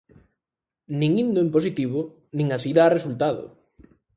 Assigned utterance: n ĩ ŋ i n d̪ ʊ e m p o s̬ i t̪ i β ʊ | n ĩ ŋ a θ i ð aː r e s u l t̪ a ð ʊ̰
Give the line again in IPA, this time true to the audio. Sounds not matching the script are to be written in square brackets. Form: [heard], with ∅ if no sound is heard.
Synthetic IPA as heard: n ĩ ŋ i n d̪ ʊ e m p o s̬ i t̪ i β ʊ | n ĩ ŋ a [s] i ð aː r e s u l t̪ a ð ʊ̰